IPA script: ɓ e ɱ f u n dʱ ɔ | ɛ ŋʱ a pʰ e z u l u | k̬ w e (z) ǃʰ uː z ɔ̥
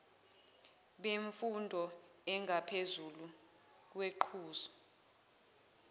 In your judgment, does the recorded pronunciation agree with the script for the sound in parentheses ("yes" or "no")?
no